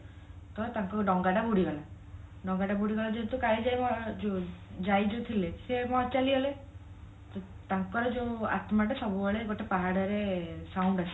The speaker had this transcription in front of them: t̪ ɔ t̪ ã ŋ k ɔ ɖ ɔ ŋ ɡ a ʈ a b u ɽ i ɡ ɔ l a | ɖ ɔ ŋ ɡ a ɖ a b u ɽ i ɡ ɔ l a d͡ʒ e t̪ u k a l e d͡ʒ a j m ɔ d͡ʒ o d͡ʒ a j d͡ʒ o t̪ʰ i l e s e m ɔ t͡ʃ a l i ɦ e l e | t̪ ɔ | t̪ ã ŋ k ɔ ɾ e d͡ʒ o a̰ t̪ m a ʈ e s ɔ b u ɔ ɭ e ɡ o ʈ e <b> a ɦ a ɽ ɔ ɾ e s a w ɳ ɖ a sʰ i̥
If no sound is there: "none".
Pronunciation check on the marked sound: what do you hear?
p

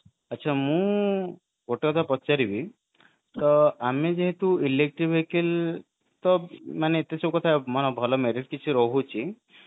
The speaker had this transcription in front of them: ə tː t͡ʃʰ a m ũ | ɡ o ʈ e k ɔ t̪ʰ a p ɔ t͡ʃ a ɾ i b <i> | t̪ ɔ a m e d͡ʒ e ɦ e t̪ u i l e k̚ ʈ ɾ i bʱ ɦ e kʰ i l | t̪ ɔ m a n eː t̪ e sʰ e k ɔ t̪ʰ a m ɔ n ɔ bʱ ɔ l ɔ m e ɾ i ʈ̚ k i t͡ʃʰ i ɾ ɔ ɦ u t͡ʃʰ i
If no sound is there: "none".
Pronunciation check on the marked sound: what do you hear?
i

